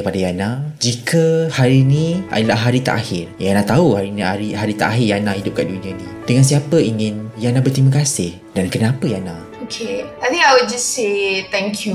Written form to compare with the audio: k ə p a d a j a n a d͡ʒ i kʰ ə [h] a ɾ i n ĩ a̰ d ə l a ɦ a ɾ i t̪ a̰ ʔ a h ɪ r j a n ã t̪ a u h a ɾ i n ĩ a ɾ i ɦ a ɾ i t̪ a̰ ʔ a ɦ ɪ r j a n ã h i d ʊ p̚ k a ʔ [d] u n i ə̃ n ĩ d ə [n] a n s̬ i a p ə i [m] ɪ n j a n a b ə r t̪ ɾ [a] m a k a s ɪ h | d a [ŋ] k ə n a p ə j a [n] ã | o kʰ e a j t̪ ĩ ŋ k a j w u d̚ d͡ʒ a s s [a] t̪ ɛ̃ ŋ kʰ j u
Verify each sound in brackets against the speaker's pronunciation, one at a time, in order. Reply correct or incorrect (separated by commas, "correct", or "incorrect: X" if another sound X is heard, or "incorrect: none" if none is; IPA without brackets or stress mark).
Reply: correct, correct, incorrect: ŋ, incorrect: ŋ, incorrect: i, incorrect: n, correct, incorrect: e